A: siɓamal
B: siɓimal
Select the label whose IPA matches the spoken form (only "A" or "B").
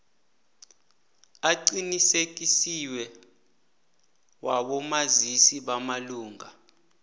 A